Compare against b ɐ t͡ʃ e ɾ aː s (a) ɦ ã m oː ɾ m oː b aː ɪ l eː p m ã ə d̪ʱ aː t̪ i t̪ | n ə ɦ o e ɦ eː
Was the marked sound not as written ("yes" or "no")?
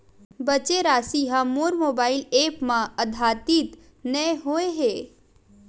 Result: yes